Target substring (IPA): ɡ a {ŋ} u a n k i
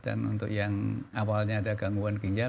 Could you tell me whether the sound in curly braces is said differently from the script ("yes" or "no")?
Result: no